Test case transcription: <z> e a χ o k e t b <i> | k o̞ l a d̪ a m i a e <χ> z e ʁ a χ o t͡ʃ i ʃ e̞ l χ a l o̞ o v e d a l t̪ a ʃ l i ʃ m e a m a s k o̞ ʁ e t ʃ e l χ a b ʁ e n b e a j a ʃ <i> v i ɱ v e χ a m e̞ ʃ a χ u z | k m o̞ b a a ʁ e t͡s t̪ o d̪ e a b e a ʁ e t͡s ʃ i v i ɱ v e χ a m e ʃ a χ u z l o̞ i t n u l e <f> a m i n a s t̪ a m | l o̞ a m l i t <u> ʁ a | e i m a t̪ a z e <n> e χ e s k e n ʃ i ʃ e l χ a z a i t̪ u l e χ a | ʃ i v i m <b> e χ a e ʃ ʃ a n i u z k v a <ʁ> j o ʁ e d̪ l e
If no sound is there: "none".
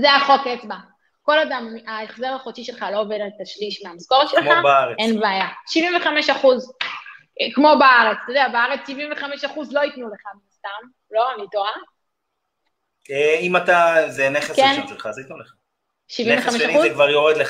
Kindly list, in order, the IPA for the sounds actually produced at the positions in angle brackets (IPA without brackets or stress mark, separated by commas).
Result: z, a, χ, i, χ, o, n, v, ʁ